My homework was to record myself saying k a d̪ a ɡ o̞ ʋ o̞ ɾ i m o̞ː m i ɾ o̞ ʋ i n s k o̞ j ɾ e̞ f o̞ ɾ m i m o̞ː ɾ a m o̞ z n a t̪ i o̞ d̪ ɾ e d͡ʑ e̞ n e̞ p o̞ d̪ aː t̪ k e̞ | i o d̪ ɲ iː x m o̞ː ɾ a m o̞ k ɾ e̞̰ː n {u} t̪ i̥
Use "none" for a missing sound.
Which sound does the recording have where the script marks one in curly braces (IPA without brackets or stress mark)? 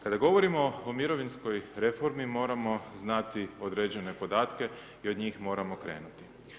u